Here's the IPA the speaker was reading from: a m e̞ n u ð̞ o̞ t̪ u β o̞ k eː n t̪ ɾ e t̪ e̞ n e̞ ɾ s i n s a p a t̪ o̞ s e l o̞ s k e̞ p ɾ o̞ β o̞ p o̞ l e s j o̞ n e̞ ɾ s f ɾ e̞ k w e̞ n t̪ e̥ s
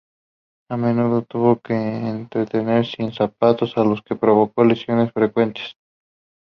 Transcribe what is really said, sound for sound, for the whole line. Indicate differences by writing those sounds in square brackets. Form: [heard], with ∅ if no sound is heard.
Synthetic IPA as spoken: a m e̞ n u ð̞ o̞ t̪ u β o̞ k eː n t̪ ɾ e t̪ e̞ n e̞ ɾ s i n s a p a t̪ o̞ s [a] l o̞ s k e̞ p ɾ o̞ β o̞ [k] o̞ l e s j o̞ n e̞ [∅] s f ɾ e̞ k w e̞ n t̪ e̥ s